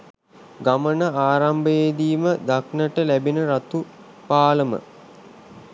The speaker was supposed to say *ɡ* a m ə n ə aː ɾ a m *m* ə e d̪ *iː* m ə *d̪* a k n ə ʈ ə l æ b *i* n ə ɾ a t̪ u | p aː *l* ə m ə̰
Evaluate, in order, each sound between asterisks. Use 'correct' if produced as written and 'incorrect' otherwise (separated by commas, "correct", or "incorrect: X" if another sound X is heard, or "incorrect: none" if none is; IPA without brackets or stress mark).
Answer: correct, incorrect: b, correct, correct, correct, correct